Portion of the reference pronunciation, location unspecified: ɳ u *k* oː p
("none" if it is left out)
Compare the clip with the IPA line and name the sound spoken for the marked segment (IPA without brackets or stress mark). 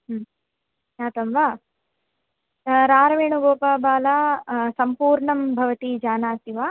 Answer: ɡ